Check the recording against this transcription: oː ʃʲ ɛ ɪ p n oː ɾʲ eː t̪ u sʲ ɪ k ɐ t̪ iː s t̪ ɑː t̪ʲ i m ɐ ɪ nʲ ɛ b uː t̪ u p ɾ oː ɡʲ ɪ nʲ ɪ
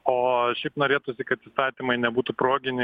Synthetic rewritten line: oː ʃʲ ɛ ɪ p n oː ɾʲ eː t̪ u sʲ ɪ k ɐ t̪ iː s t̪ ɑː t̪ʲ i m ɐ ɪ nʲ ɛ b uː t̪ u p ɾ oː ɡʲ ɪ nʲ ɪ

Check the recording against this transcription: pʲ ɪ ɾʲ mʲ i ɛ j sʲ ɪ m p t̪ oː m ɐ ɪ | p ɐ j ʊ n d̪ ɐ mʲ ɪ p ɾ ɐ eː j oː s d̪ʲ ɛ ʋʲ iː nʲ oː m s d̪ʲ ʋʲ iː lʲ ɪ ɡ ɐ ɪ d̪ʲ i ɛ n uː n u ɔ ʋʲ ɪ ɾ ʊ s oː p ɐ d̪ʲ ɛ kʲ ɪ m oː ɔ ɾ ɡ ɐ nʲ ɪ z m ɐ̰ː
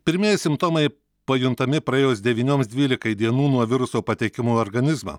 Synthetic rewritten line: pʲ ɪ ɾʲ mʲ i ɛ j sʲ ɪ m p t̪ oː m ɐ ɪ | p ɐ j ʊ n t̪ ɐ mʲ ɪ p ɾ ɐ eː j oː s d̪ʲ ɛ ʋʲ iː nʲ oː m s d̪ʲ ʋʲ iː lʲ ɪ k ɐ ɪ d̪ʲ i ɛ n uː n u ɔ ʋʲ ɪ ɾ ʊ s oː p ɐ t̪ʲ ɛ kʲ ɪ m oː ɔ ɾ ɡ ɐ nʲ ɪ z m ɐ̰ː

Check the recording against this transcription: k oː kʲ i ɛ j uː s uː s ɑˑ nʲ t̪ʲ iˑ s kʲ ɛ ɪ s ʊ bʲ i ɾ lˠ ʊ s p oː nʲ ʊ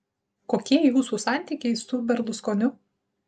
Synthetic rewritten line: k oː kʲ i ɛ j uː s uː s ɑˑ nʲ t̪ʲ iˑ kʲ ɛ ɪ s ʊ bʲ ɛ ɾ lˠ ʊ s k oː nʲ ʊ

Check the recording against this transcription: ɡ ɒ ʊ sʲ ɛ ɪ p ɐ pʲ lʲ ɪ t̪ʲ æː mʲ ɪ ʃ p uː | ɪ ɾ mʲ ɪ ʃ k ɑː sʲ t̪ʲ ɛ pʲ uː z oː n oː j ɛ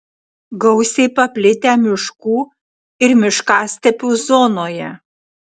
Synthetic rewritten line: ɡ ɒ ʊ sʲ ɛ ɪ p ɐ pʲ lʲ ɪ t̪ʲ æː mʲ ɪ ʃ k uː | ɪ ɾ mʲ ɪ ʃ k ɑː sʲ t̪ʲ ɛ pʲ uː z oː n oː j ɛ

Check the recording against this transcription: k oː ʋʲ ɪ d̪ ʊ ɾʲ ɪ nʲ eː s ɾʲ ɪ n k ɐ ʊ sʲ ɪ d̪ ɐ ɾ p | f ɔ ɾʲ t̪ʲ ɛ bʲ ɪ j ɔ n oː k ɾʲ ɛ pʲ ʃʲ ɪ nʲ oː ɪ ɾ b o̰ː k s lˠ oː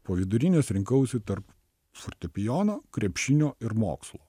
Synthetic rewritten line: p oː ʋʲ ɪ d̪ ʊ ɾʲ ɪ nʲ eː s ɾʲ ɪ ŋ k ɐ ʊ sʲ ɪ t̪ ɐ ɾ p | f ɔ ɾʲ t̪ʲ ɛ pʲ ɪ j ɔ n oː k ɾʲ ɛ pʲ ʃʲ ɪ nʲ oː ɪ ɾ m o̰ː k s lˠ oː

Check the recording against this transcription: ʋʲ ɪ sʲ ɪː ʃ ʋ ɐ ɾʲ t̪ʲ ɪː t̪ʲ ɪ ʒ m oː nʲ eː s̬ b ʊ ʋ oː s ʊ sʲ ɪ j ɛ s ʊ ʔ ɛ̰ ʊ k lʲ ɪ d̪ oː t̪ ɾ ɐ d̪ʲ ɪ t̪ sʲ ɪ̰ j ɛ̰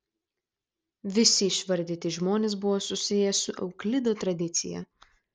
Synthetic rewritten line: ʋʲ ɪ sʲ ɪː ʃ ʋ ɐ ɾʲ d̪ʲ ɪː t̪ʲ ɪ ʒ m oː nʲ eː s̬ b ʊ ʋ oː s ʊ sʲ ɪ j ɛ s ʊ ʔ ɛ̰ ʊ k lʲ ɪ d̪ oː t̪ ɾ ɐ d̪ʲ ɪ t̪ sʲ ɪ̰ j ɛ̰

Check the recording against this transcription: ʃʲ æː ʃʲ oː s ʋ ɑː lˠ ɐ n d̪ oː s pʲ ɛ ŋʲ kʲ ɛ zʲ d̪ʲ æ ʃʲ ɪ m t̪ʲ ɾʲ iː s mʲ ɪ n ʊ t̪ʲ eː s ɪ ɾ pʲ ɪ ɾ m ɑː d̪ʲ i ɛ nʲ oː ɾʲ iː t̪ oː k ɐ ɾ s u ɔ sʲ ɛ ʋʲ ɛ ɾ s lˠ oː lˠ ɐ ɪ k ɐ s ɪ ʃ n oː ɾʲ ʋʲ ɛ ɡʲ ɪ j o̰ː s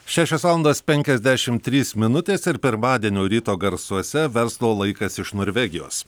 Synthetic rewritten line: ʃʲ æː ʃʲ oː s ʋ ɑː lˠ ɐ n d̪ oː s pʲ ɛ ŋʲ kʲ ɛ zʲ d̪ʲ æ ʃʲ ɪ m t̪ʲ ɾʲ iː s mʲ ɪ n ʊ t̪ʲ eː s ɪ ɾ pʲ ɪ ɾ m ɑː d̪ʲ i ɛ nʲ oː ɾʲ iː t̪ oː ɡ ɐ ɾ s u ɔ sʲ ɛ ʋʲ ɛ ɾ s lˠ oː lˠ ɐ ɪ k ɐ s ɪ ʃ n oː ɾʲ ʋʲ ɛ ɡʲ ɪ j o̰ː s

